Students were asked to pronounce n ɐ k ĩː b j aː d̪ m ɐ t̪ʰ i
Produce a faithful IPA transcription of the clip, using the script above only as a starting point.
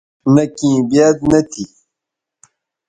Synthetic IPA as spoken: n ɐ k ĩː b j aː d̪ n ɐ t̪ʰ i